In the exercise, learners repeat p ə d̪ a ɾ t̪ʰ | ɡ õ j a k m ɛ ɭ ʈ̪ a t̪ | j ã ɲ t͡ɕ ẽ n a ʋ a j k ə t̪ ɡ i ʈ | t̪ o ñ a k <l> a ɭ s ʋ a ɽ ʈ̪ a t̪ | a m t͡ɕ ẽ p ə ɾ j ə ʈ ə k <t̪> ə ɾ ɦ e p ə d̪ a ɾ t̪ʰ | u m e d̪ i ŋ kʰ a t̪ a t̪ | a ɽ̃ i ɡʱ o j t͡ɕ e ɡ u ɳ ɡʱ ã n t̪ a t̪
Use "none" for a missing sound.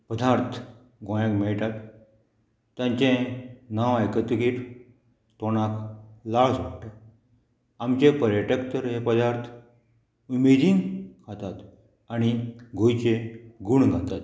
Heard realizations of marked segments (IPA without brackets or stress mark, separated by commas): l, t̪